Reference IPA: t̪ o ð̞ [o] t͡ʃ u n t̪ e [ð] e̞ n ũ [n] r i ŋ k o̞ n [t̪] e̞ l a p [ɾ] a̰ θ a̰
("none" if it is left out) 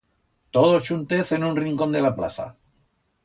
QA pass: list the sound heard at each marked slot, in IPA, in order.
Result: o, θ, n, d̪, l

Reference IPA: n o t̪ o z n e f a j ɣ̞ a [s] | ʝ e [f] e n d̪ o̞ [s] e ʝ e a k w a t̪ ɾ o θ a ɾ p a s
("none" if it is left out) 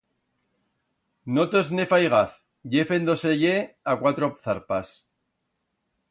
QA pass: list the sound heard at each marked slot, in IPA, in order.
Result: θ, f, s

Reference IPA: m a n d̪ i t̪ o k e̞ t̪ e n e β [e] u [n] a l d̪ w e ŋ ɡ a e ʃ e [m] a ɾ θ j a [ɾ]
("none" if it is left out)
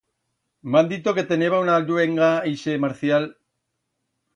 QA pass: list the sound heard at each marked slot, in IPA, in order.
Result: a, n, m, l

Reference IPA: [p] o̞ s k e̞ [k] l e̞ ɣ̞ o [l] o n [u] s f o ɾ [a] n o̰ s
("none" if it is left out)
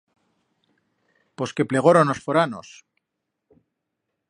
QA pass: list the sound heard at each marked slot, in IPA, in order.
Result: p, p, ɾ, o, a

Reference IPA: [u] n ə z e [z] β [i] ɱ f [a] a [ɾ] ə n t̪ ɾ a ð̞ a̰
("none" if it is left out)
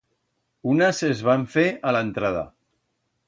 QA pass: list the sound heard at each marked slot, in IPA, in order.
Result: u, z, a, e, l

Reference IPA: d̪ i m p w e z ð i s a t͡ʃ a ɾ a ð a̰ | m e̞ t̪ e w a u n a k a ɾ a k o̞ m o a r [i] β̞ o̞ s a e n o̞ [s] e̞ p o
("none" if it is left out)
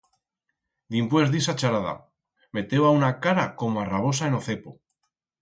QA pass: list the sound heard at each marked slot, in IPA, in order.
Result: a, θ

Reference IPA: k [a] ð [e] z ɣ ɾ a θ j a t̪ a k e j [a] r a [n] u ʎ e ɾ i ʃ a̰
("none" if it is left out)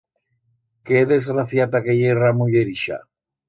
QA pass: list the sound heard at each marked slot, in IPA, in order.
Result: e, e, e, m

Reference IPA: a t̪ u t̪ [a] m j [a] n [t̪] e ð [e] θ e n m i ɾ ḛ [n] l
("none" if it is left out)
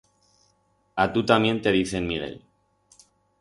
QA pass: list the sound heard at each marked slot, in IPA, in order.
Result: a, e, t̪, i, none

